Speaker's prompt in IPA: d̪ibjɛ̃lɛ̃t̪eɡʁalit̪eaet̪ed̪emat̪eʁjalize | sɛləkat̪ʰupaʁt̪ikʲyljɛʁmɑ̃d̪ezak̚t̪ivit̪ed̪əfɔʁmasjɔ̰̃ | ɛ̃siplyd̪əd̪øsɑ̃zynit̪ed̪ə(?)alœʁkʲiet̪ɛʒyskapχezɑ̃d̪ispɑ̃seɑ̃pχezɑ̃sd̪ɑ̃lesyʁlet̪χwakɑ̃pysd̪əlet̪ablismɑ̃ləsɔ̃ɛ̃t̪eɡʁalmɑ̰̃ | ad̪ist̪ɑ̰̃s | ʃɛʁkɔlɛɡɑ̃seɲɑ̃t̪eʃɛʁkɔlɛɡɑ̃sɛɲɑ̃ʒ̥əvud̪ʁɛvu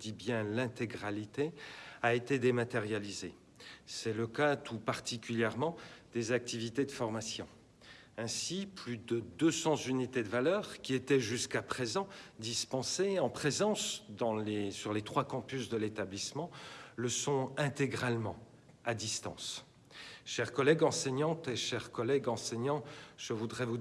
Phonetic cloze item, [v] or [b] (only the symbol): v